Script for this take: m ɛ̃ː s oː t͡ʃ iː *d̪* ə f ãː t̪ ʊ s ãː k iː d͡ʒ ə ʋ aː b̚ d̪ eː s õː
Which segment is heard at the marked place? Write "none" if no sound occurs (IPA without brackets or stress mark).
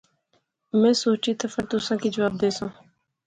t̪